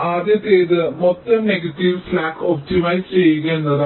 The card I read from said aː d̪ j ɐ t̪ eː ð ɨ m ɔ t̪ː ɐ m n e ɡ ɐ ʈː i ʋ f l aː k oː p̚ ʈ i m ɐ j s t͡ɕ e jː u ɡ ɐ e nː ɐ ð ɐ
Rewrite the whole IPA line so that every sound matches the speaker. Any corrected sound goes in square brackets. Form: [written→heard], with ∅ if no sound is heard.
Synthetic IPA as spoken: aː d̪ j ɐ t̪ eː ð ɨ m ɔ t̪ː ɐ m n e ɡ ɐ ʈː i ʋ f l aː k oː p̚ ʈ i m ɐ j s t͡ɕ e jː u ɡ ɐ e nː ɐ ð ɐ